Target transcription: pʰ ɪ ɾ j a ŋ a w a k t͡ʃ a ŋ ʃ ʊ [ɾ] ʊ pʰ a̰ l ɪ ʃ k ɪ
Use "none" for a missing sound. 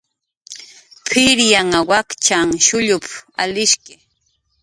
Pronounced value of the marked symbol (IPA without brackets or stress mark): ʎ